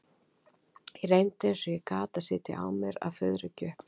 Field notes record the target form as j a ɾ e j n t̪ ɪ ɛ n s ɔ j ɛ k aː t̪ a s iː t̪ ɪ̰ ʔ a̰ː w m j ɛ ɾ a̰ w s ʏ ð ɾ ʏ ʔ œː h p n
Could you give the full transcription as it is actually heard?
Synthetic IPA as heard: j ɛ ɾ e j n t̪ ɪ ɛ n s ɔ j ɛ k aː t̪ a s ɪː t̪ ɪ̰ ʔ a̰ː w m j ɛ ɾ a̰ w f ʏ ð ɾ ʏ c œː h p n

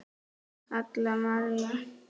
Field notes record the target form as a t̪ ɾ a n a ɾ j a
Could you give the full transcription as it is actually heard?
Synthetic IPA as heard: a t̪ l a m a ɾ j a

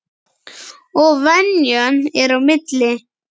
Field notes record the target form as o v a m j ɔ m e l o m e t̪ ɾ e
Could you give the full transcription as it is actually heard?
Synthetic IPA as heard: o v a n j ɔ n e ɾ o m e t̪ l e

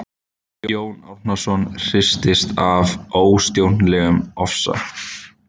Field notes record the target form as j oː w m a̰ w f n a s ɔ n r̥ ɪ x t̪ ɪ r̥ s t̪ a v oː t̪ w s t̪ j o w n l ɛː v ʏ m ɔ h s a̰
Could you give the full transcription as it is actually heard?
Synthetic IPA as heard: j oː w n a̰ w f n a s ɔ n r̥ ɪ s t̪ ɪ s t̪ a v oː w s t̪ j o w n l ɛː ɣ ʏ m ɔ f s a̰

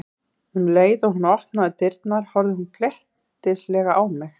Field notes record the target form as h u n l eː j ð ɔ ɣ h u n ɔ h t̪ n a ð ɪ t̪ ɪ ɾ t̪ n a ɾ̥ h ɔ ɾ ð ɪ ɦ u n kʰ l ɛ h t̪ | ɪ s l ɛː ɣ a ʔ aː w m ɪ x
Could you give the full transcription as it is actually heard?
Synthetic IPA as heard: h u n l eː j ð ɔ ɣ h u n ɔ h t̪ n a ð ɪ t̪ ɪ ɾ t̪ n a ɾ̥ h ɔ ɾ ð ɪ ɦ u n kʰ l ɛ h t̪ | ɪ s l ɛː ɣ a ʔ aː w m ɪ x

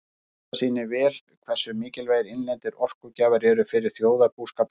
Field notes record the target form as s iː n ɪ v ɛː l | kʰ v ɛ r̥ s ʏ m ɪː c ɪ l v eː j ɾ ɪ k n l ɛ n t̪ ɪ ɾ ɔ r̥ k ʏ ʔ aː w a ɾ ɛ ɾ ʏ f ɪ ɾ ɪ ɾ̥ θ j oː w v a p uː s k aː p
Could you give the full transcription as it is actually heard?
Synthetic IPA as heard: s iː n ɪ v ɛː l | kʰ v ɛ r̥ s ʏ m ɪː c ɪ l v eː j ɾ ɪ n l ɛ n t̪ ɪ ɾ ɔ r̥ k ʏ c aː v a ɾ ɛ ɾ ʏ f ɪ ɾ ɪ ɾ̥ θ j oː w ð a p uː s k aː p

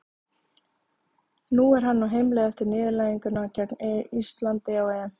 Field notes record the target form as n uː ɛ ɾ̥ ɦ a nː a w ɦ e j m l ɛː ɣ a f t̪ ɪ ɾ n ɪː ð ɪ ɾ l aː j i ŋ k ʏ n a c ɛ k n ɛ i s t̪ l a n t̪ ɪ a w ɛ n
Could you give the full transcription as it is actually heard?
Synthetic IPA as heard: n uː ɛ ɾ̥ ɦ a nː a w ɦ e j m l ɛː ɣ ɛ f t̪ ɪ ɾ n ɪː ð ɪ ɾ l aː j i ŋ k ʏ n a c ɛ k n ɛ i s t̪ l a n t̪ ɪ a w ɛ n

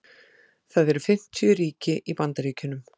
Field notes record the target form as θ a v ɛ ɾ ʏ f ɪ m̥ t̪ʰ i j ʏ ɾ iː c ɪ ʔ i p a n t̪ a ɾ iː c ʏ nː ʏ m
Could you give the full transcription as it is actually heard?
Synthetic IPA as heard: θ a ð ɛ ɾ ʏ f ɪ m̥ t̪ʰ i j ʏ ɾ iː c ɪ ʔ i p a n t̪ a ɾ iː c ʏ n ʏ m

